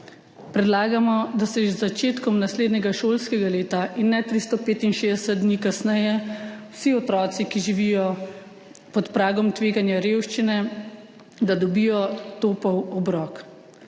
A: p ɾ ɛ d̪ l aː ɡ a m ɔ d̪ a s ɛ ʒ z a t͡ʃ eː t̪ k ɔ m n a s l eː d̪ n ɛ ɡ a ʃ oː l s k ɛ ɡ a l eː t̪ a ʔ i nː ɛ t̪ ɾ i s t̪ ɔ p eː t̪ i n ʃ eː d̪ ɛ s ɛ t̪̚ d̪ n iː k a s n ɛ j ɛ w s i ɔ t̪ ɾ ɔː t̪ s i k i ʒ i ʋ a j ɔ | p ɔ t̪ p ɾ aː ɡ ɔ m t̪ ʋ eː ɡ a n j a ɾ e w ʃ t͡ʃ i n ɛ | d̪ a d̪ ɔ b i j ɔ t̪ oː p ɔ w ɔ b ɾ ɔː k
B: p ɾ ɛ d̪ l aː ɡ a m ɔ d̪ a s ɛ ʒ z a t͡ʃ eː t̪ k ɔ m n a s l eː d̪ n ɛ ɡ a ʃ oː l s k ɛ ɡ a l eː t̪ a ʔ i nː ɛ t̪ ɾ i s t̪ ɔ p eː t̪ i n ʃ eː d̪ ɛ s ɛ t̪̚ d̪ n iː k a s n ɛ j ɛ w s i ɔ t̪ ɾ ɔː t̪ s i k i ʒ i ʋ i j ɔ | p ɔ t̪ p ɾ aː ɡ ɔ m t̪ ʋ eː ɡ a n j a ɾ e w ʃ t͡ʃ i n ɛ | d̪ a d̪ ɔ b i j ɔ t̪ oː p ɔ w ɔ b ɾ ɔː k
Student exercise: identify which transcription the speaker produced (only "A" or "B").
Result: B